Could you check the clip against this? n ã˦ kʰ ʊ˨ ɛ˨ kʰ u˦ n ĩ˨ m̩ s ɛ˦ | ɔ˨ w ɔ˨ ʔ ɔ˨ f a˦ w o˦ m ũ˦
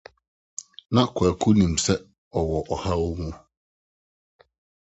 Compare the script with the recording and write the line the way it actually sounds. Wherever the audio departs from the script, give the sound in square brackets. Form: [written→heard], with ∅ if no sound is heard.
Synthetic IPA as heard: n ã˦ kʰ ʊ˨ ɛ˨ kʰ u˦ n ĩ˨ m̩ s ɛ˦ | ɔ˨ w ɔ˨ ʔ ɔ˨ [f→h] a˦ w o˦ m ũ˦